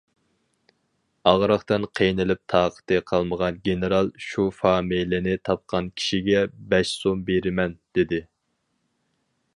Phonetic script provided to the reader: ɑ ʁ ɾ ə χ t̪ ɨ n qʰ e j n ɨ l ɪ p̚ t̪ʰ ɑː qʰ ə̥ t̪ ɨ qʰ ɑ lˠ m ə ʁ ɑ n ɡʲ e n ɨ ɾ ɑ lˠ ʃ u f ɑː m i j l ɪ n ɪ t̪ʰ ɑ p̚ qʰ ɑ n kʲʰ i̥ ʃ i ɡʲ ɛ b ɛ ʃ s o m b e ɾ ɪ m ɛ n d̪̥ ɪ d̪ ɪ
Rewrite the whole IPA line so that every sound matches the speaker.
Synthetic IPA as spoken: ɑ ʁ ɾ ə χ t̪ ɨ n qʰ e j n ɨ l ɪ p̚ t̪ʰ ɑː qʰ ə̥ t̪ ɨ qʰ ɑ lˠ m ə ʁ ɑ n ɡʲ e n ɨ ɾ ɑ lˠ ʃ u f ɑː m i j l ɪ n ɪ t̪ʰ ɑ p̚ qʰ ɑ n kʲʰ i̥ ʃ i ɡʲ ɛ b ɛ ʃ s o m b e ɾ ɪ m ɛ n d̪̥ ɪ d̪ ɪ